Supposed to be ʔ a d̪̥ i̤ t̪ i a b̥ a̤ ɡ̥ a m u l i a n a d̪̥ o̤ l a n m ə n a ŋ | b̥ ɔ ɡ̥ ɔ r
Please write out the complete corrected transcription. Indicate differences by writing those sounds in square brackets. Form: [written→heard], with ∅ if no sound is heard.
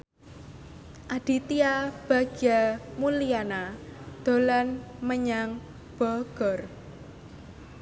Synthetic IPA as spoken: ʔ a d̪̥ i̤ t̪ i a b̥ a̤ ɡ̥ a m u l i a n a d̪̥ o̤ l a n m ə [n→ɲ] a ŋ | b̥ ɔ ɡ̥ ɔ r